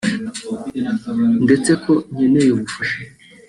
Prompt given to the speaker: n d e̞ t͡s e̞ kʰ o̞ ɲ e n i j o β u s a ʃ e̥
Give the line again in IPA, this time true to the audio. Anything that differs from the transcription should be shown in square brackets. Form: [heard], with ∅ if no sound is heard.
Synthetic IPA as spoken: n d e̞ t͡s e̞ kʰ o̞ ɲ e n [e] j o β u [f] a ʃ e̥